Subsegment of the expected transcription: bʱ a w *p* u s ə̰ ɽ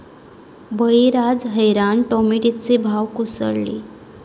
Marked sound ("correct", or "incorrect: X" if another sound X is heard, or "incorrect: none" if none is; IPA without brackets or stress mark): incorrect: k